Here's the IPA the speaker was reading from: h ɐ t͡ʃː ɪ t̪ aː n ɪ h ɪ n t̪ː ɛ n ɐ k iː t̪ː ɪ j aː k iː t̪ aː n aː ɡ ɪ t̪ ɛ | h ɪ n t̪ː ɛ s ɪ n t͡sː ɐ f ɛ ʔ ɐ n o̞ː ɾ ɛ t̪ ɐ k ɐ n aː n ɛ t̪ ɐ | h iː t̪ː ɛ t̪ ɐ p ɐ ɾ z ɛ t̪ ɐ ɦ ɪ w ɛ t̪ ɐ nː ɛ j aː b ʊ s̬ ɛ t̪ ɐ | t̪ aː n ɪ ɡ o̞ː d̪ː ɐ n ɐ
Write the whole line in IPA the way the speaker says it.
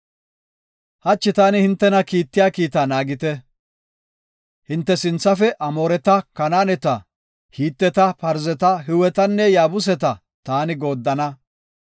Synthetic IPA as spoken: h ɐ t͡ʃː ɪ t̪ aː n ɪ h ɪ n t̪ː ɛ n ɐ k iː t̪ː ɪ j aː k iː t̪ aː n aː ɡ ɪ t̪ ɛ | h ɪ n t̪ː ɛ s ɪ n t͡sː ɐ f ɛ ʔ ɐ m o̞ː ɾ ɛ t̪ ɐ k ɐ n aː n ɛ t̪ ɐ | h iː t̪ː ɛ t̪ ɐ p ɐ ɾ z ɛ t̪ ɐ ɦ ɪ w ɛ t̪ ɐ nː ɛ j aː b ʊ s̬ ɛ t̪ ɐ | t̪ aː n ɪ ɡ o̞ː d̪ː ɐ n ɐ